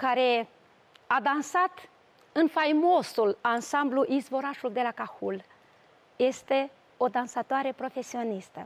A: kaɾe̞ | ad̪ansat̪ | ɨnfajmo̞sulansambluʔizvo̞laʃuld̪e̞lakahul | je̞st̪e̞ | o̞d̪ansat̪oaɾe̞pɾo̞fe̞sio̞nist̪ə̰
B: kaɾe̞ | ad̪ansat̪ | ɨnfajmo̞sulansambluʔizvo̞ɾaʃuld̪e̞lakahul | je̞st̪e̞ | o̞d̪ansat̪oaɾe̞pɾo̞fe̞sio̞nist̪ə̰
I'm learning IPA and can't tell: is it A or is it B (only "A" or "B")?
B